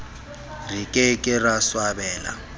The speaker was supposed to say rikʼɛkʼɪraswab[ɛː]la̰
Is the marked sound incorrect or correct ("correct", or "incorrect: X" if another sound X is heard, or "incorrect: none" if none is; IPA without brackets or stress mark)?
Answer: correct